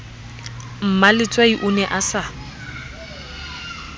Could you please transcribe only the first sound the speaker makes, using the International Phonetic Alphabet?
m̩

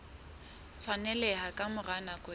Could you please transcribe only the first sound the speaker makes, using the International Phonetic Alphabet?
t͡sʰ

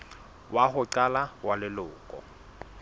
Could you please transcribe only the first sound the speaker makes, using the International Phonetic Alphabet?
w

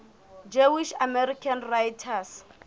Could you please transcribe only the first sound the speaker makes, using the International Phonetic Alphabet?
d͡ʒ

